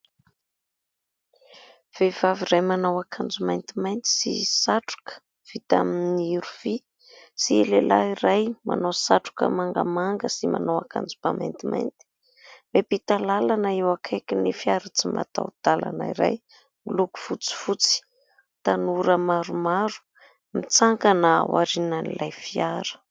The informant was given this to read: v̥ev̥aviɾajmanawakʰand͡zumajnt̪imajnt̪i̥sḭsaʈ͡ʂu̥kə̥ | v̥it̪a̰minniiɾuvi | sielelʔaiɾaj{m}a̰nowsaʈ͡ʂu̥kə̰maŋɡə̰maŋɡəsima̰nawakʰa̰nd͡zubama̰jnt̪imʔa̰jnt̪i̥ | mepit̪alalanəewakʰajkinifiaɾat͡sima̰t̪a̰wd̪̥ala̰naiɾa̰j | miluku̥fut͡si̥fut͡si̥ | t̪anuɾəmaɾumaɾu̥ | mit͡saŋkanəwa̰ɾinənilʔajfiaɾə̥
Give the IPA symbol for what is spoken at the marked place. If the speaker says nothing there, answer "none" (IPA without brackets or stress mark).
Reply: m